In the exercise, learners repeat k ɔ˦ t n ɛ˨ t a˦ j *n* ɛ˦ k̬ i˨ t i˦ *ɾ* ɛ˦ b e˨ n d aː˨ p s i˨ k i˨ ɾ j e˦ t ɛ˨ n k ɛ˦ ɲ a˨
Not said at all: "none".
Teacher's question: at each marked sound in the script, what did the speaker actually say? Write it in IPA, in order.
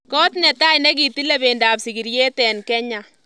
n, l

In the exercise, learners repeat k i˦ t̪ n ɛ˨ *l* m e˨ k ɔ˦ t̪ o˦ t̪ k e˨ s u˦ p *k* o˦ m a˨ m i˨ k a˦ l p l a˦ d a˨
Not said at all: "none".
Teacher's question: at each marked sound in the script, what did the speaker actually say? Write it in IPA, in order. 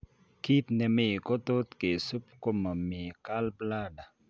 none, k

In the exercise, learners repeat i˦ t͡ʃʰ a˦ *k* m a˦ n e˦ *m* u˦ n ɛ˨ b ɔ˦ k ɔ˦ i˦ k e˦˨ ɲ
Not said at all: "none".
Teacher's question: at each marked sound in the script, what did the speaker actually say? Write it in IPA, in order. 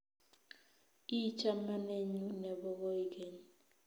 none, ɲ

